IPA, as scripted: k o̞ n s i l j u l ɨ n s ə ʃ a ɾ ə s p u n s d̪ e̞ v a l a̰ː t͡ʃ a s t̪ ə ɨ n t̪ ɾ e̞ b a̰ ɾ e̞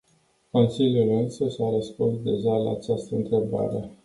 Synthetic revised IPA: k o̞ n s i l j u l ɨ n s ə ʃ a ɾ ə s p u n s d̪ e̞ ʒ a l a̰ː t͡ʃ a s t̪ ə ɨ n t̪ ɾ e̞ b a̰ ɾ e̞